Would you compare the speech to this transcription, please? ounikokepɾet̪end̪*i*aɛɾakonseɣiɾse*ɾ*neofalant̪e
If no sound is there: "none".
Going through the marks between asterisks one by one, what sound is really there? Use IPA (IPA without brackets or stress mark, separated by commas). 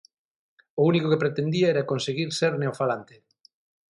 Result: i, ɾ